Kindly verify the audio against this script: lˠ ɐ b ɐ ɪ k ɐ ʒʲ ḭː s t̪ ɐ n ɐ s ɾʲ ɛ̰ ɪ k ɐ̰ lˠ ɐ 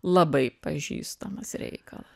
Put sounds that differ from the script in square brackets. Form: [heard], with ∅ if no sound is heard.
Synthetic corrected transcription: lˠ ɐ b ɐ ɪ [p] ɐ ʒʲ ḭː s t̪ ɐ [m] ɐ s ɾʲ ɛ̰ ɪ k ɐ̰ lˠ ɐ